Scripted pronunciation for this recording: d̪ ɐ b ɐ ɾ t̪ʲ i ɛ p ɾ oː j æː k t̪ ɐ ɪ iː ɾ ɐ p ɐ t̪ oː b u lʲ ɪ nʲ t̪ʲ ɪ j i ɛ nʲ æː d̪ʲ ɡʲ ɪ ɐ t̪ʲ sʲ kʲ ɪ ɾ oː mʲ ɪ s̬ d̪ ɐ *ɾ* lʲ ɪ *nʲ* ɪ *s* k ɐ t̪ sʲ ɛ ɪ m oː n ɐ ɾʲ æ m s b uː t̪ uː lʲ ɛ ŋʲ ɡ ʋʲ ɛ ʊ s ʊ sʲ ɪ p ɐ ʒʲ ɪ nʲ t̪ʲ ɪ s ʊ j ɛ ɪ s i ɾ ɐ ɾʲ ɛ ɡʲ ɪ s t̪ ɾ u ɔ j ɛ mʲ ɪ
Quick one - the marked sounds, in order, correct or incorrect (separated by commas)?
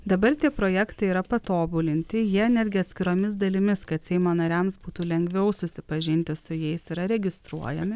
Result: incorrect, incorrect, correct